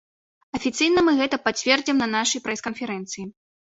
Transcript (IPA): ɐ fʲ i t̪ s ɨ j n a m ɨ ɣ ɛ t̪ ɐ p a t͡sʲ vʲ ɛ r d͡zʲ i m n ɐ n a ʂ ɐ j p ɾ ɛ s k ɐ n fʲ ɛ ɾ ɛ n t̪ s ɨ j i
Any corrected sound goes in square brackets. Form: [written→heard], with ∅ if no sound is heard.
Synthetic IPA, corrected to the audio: ɐ fʲ i t̪ s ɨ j n [a→ɐ] m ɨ ɣ ɛ t̪ ɐ p a t͡sʲ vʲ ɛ r d͡zʲ i m n ɐ n a ʂ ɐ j p ɾ ɛ s k ɐ n fʲ ɛ ɾ ɛ n t̪ s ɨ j i